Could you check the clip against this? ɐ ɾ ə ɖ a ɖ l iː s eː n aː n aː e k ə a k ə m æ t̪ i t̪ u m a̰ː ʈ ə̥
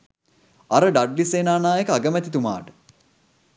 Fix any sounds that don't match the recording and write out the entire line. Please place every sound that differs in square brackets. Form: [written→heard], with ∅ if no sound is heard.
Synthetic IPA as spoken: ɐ ɾ ə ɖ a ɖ l [iː→i] s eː n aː n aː e k ə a [k→ɡ] ə m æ t̪ i t̪ u m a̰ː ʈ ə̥